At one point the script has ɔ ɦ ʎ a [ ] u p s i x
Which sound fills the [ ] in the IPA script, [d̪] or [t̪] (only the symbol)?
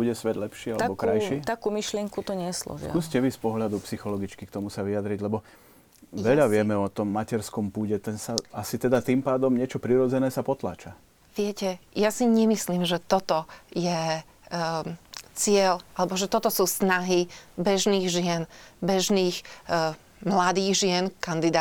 d̪